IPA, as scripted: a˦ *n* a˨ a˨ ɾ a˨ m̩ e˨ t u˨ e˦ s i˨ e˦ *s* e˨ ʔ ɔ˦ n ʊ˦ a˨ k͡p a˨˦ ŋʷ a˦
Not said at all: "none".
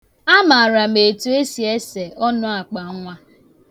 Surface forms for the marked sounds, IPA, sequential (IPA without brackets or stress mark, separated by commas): m, s